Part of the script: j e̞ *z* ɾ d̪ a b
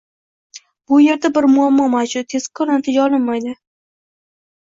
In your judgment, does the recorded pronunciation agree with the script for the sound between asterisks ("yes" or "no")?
no